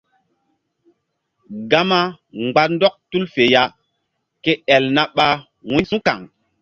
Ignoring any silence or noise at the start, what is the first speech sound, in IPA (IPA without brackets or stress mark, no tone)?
ɡ